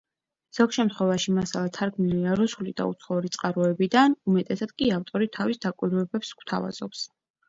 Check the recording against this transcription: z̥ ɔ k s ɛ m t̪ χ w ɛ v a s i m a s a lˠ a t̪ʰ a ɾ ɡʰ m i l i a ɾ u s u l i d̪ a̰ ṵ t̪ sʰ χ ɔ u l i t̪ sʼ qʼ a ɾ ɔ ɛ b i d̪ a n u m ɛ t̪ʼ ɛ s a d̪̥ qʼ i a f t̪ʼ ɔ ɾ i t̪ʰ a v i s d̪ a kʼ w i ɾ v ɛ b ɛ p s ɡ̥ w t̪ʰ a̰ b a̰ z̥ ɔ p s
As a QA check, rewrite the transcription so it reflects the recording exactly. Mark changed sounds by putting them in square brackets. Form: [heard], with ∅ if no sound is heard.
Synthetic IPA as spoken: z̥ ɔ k [ʃ] ɛ m t̪ χ w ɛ v a [ʃ] i m a s a lˠ a t̪ʰ a ɾ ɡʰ m i l i a ɾ u s u l i d̪ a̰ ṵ t̪ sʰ χ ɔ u [ɾ] i t̪ sʼ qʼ a ɾ ɔ ɛ b i d̪ a n u m ɛ t̪ʼ ɛ s a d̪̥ [kʼ] i a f t̪ʼ ɔ ɾ i t̪ʰ a v i s d̪ a kʼ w i ɾ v ɛ b ɛ p s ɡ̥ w t̪ʰ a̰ [v] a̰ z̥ ɔ p s